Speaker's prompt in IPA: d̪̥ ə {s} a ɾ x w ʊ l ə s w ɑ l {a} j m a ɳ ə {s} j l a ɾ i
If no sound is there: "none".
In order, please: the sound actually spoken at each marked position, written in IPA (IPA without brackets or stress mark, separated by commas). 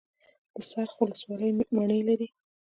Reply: s, ə, none